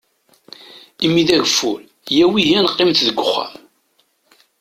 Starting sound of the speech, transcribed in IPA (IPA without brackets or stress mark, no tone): i